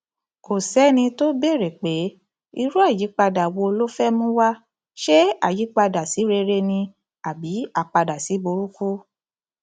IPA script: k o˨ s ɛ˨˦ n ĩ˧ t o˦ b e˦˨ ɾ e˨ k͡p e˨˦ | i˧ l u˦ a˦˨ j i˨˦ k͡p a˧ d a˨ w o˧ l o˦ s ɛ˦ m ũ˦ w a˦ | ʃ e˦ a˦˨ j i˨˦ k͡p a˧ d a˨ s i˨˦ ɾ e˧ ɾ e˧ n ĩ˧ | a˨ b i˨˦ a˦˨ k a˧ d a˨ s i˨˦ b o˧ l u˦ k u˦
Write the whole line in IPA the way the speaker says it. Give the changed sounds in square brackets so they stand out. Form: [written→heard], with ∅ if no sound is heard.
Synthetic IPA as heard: k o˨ s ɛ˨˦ n ĩ˧ t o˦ b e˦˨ ɾ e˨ k͡p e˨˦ | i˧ [l→ɾ] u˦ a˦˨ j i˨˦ k͡p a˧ d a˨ w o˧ l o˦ [s→f] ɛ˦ m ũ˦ w a˦ | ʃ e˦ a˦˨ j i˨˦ k͡p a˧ d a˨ s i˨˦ ɾ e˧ ɾ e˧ n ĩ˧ | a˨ b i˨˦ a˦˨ [k→k͡p] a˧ d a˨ s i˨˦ b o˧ [l→ɾ] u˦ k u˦